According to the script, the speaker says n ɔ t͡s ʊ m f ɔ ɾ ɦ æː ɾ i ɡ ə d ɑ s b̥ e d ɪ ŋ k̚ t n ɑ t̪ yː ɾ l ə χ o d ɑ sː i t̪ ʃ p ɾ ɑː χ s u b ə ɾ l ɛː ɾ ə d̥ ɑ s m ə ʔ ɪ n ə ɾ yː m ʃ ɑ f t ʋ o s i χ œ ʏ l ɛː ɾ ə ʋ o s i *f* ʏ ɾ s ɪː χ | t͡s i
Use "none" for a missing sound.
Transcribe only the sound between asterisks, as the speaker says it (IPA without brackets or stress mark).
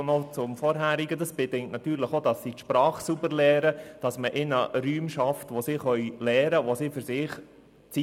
f